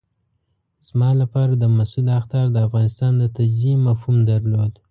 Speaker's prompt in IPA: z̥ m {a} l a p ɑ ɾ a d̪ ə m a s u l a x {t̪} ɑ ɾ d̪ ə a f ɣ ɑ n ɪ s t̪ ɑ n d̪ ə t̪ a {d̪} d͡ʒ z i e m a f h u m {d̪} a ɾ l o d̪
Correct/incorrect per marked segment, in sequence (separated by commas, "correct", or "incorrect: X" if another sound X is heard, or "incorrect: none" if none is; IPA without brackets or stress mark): incorrect: ɑ, correct, incorrect: none, correct